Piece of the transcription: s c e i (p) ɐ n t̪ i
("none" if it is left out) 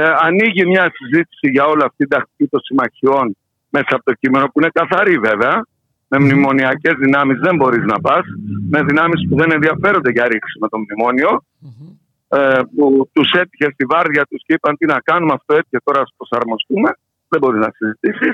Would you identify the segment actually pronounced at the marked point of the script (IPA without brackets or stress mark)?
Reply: p